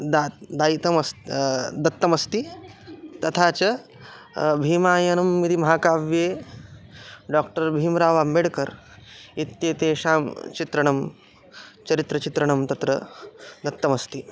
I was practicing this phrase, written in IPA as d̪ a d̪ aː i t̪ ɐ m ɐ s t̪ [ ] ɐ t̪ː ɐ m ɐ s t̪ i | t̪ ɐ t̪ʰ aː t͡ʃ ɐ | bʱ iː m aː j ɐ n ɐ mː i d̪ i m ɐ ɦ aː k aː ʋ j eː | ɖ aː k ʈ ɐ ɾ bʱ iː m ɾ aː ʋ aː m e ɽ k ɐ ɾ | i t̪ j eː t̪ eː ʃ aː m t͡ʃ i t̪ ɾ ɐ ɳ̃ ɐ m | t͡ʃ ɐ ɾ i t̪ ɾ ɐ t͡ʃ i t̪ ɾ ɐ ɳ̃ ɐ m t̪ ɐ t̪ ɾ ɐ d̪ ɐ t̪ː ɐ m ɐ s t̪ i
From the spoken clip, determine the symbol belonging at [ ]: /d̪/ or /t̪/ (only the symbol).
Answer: d̪